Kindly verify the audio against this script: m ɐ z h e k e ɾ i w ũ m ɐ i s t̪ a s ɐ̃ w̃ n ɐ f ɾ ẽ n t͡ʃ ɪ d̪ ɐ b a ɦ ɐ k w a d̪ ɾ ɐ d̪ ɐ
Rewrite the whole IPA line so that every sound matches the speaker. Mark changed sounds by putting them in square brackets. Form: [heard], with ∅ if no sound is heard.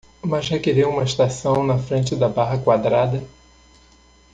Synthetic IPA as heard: m ɐ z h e k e ɾ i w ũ m ɐ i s t̪ a s ɐ̃ w̃ n ɐ f ɾ ẽ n t͡ʃ ɪ d̪ ɐ b a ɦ ɐ k w a d̪ ɾ [a] d̪ ɐ

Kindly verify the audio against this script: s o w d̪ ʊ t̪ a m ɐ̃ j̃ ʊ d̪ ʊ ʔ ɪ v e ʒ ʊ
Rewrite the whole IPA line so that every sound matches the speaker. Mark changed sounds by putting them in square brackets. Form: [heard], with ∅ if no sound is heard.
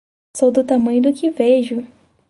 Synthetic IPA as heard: s o w d̪ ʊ t̪ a m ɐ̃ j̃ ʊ d̪ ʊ [k] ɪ v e ʒ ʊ

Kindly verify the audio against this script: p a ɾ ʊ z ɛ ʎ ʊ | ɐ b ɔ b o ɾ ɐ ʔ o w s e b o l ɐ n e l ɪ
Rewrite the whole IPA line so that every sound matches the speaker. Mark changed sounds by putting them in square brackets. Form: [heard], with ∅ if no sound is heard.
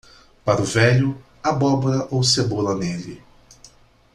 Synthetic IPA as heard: p a ɾ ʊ [v] ɛ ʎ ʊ | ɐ b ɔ b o ɾ ɐ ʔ o w s e b o l ɐ n e l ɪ

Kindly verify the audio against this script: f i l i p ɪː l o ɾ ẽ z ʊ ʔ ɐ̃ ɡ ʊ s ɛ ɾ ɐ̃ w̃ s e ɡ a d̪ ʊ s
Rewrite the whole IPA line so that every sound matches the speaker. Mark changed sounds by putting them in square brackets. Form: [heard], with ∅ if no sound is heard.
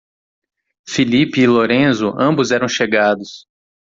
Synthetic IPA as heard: f i l i p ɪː l o ɾ ẽ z ʊ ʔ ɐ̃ [b] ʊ [z] ɛ ɾ ɐ̃ w̃ [ʃ] e ɡ a d̪ ʊ s

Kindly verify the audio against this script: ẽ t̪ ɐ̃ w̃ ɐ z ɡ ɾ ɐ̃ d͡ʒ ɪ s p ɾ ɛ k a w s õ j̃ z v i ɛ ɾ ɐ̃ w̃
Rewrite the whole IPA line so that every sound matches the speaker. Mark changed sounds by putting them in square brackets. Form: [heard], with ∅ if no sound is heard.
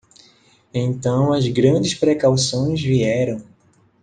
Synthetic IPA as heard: ẽ t̪ ɐ̃ w̃ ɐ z ɡ ɾ ɐ̃ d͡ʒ ɪ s p ɾ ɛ k a w s õ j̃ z v i ɛ ɾ ɐ̃ w̃

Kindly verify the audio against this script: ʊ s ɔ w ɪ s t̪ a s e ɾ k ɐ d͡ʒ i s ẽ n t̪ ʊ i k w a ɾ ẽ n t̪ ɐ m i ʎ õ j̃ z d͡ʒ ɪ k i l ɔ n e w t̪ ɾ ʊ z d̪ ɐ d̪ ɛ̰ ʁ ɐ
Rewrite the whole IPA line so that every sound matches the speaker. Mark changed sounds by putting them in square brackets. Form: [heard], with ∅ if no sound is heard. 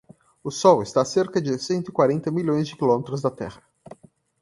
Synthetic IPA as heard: ʊ s ɔ w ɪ s t̪ a s e ɾ k ɐ d͡ʒ [ɪ] s ẽ n t̪ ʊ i k w a ɾ ẽ n t̪ ɐ m i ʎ õ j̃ z d͡ʒ ɪ k i l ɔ [m] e [∅] t̪ ɾ ʊ z d̪ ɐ [t̪] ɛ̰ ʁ ɐ

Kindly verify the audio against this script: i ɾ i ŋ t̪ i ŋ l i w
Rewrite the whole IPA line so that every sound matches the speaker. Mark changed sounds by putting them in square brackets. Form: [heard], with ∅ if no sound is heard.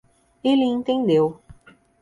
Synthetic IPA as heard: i [l] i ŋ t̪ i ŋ l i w

